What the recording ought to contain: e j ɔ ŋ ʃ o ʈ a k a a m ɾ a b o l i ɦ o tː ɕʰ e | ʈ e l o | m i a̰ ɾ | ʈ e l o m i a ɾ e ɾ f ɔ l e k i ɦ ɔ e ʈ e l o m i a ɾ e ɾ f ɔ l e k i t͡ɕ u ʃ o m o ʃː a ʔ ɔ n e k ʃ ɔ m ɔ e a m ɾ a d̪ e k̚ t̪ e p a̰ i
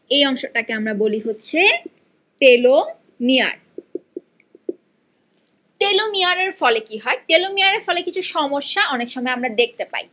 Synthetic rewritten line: e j ɔ ŋ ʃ o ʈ a k e a m ɾ a b o l i ɦ o tː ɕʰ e | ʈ e l o | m i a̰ ɾ | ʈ e l o m i a ɾ e ɾ f ɔ l e k i ɦ ɔ e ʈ e l o m i a ɾ e ɾ f ɔ l e k i t͡ɕʰ u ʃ ɔ m o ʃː a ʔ ɔ n e k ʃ ɔ m ɔ e a m ɾ a d̪ e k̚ t̪ e p a̰ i

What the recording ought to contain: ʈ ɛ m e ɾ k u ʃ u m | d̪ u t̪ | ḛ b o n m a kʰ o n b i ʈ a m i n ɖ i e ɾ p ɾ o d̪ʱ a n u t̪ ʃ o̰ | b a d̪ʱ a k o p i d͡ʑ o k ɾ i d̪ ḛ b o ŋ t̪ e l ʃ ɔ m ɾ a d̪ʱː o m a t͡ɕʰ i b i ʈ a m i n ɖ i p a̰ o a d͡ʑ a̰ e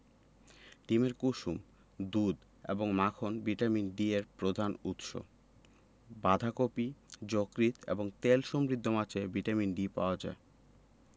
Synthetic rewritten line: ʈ i m e ɾ k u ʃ u m | d̪ u d̪ | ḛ b o ŋ m a kʰ o n b i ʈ a m i n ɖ i e ɾ p ɾ o d̪ʱ a n u t̪ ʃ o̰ | b a d̪ʱ a k o p i d͡ʑ o k ɾ i t̪ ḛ b o ŋ t̪ e l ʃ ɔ m ɾ i d̪ʱː o m a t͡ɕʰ e b i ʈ a m i n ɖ i p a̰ o a d͡ʑ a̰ e

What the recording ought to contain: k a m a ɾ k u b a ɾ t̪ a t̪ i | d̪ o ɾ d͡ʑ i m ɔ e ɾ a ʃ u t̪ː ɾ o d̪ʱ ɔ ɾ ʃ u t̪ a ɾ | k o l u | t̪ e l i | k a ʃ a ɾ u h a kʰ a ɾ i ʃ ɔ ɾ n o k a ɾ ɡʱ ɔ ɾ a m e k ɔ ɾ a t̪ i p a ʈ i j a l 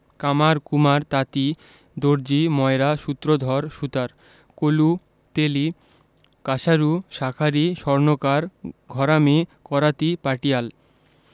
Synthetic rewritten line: k a m a ɾ k u m a ɾ t̪ a t̪ i | d̪ o ɾ d͡ʑ i m ɔ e ɾ a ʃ u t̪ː ɾ o d̪ʱ ɔ ɾ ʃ u t̪ a ɾ | k o l u | t̪ e l i | k a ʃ a ɾ u ʃ a kʰ a ɾ i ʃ ɔ ɾ n o k a ɾ ɡʱ ɔ ɾ a m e k ɔ ɾ a t̪ i p a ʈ i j a l

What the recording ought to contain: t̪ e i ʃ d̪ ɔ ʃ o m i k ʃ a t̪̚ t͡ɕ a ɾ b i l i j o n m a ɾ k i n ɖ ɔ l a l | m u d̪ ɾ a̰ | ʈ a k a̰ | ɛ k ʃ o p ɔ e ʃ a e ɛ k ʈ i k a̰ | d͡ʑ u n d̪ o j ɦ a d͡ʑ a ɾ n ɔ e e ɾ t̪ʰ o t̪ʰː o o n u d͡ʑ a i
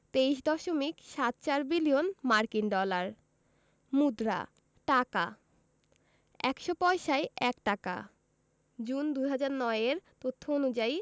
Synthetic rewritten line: t̪ e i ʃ d̪ ɔ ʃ o m i k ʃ a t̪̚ t͡ɕ a ɾ b i l i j o n m a ɾ k i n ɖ ɔ l a ɾ | m u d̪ ɾ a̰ | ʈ a k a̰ | ɛ k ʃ o p ɔ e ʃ a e ɛ k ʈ a k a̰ | d͡ʑ u n d̪ u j ɦ a d͡ʑ a ɾ n ɔ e e ɾ t̪ o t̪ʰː o o n u d͡ʑ a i

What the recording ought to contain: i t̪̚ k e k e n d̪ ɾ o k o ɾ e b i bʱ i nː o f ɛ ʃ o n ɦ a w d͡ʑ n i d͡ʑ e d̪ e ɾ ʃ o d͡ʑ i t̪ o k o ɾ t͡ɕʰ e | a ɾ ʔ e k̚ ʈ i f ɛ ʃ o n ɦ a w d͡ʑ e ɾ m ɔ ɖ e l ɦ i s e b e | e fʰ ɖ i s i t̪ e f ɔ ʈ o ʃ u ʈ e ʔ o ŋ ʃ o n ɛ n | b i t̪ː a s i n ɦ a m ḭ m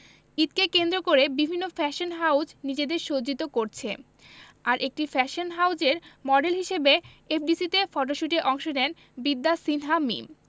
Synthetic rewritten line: i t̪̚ k e k e n d̪ ɾ o k o ɾ e b i bʱ i nː o f ɛ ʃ o n ɦ a w d͡ʑ n i d͡ʑ e d̪ e ɾ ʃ o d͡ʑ i t̪ o k o ɾ t͡ɕʰ e | a ɾ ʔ e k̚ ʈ i f ɛ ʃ o n ɦ a w d͡ʑ e ɾ m ɔ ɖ e l ɦ i ʃ e b e | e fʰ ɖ i s i t̪ e f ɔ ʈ o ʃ u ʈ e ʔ ɔ ŋ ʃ o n ɛ n | b i d̪ː a s i n ɦ a m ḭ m

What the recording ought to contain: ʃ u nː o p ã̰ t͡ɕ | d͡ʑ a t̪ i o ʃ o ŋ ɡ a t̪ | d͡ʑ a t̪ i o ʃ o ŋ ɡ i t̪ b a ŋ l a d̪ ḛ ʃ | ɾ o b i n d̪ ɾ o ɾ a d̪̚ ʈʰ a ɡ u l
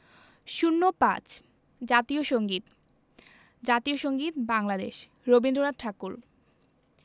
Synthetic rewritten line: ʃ u nː o p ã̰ t͡ɕ | d͡ʑ a t̪ i o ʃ o ŋ ɡ i t̪ | d͡ʑ a t̪ i o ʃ o ŋ ɡ i t̪ b a ŋ l a d̪ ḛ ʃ | ɾ o b i n d̪ ɾ o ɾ a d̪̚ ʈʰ a k u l

